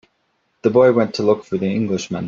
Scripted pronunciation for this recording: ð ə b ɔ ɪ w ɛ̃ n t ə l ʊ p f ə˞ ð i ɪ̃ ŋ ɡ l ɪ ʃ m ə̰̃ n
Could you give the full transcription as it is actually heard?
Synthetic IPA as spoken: ð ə b ɔ ɪ w ɛ̃ n tʰ ə l ʊ k f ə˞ ð i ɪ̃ ŋ ɡ l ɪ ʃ m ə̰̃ n